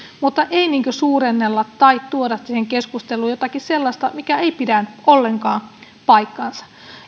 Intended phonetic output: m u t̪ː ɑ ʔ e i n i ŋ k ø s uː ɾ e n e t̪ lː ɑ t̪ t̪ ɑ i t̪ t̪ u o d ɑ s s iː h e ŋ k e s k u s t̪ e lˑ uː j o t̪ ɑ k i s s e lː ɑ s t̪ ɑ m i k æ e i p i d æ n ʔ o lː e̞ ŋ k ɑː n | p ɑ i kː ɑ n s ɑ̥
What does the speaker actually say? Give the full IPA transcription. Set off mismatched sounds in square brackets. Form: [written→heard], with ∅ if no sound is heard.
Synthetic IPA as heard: m u t̪ː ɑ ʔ e i n [i→iː] ŋ k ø s uː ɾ e [n→nː] e [t̪→∅] lː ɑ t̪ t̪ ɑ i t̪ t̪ u o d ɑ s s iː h e ŋ k e s k u s t̪ e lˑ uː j o t̪ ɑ k i s s e lː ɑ s t̪ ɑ m i k æ e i p i d æ n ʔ o lː e̞ ŋ k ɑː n | p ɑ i kː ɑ n s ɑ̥

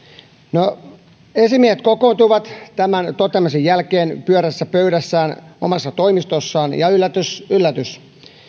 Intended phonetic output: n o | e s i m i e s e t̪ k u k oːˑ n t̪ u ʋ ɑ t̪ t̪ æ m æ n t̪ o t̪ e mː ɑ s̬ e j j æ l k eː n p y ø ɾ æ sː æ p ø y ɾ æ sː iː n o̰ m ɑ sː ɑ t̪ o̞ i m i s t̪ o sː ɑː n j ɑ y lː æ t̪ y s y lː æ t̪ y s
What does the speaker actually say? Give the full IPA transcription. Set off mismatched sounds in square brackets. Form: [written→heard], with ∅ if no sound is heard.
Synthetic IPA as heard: n o | e s i m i e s e t̪ k [u→o] k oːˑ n t̪ u ʋ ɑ t̪ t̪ æ m æ n t̪ o t̪ e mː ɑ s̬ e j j æ l k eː n p y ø ɾ æ sː æ p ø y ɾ æ sː [iː→æː] n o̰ m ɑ sː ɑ t̪ o̞ i m i s t̪ o sː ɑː n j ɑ y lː æ t̪ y s y lː æ t̪ y s

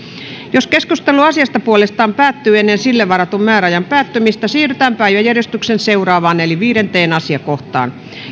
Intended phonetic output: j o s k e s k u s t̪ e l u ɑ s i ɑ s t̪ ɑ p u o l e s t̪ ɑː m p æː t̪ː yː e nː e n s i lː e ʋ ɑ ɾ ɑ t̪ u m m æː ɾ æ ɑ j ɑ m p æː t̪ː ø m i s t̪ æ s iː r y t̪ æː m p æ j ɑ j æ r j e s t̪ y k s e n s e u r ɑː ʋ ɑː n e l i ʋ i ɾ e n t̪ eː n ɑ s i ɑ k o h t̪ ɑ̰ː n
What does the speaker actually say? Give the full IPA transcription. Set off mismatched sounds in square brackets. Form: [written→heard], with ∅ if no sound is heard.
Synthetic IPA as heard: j o s k e s k u s t̪ e l u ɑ s i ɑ s t̪ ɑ p u o l e s t̪ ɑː m p æː t̪ː yː e nː e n s i lː e ʋ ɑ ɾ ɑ t̪ u m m æː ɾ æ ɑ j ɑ m p æː t̪ː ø m i s t̪ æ s iː r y t̪ æː m p æ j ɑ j æ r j e s t̪ y k s e n s e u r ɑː ʋ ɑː n e l i ʋ [i→iː] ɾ e n t̪ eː n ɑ s i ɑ k o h t̪ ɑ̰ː n

